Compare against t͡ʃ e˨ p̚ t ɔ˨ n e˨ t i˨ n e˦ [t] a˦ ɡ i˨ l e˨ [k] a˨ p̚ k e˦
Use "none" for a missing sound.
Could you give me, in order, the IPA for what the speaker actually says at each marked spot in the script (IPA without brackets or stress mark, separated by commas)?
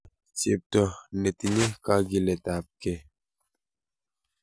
k, t